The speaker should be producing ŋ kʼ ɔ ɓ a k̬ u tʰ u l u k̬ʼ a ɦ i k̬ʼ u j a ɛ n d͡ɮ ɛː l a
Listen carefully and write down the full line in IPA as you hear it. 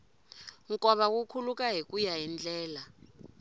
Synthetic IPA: ŋ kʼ ɔ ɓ a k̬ u kʰ u l u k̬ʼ a ɦ i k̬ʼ u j a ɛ n d͡ɮ ɛː l a